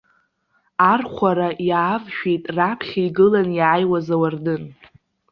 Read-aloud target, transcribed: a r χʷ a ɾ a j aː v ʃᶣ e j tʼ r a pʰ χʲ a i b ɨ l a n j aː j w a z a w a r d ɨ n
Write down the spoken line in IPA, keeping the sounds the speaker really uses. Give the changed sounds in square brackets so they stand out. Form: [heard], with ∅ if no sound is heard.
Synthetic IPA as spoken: a r χʷ a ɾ a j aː v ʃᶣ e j tʼ r a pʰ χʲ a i [ɡ] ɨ l a n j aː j w a z a w a r d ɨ n